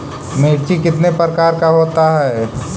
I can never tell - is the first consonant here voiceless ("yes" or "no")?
no